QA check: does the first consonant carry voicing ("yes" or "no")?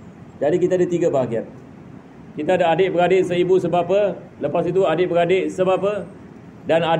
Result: yes